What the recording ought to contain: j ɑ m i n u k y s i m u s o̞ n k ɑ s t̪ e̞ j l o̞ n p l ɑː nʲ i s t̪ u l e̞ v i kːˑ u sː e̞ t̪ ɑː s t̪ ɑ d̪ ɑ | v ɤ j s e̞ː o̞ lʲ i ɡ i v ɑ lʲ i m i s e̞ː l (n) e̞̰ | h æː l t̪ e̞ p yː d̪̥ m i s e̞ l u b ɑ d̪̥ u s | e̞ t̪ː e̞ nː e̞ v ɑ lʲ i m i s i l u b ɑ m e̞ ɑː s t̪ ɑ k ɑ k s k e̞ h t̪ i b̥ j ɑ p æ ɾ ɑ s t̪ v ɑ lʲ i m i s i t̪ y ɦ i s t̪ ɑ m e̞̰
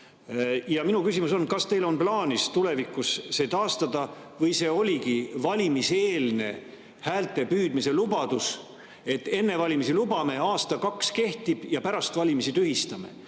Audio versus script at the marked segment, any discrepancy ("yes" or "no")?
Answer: no